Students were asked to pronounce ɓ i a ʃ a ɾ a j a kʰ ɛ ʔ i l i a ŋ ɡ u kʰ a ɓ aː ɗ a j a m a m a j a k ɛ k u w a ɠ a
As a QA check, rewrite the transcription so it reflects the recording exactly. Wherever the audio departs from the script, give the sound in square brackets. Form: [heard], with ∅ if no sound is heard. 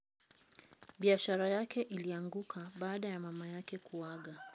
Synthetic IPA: ɓ i a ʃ a ɾ a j a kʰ ɛ ʔ i l i a ŋ ɡ u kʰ a ɓ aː ɗ a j a m a m a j a k ɛ k u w a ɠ a